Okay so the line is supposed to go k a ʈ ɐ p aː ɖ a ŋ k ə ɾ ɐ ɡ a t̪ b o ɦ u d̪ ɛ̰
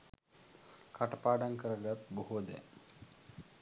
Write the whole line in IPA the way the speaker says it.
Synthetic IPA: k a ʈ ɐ p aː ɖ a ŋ k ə ɾ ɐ ɡ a t̪ b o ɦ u d̪ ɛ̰